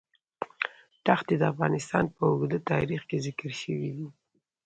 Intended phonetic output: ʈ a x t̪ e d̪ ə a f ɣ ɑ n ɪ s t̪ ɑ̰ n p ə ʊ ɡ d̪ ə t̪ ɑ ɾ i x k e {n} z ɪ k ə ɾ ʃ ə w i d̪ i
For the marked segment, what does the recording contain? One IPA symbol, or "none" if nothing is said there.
none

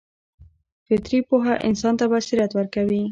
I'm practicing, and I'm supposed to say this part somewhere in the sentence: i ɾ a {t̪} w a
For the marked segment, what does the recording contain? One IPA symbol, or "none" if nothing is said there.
t̪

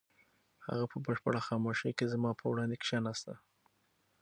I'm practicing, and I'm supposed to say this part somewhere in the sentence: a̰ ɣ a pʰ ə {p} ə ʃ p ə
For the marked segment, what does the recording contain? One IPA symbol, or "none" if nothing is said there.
b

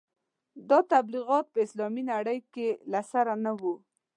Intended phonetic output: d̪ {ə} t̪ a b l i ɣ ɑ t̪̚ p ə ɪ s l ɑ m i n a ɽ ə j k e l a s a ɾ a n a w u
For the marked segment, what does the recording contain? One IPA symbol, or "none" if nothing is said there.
ɑ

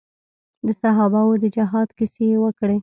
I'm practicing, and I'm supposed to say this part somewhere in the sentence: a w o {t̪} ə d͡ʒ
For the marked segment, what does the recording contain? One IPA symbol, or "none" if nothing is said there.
d̪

